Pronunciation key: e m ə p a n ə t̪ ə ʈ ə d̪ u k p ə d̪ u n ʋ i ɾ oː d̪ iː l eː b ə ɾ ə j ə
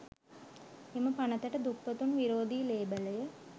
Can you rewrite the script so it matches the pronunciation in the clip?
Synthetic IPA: e m ə p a n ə t̪ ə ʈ ə d̪ u k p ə t̪ u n ʋ i ɾ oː d̪ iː l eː b ə l ə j ə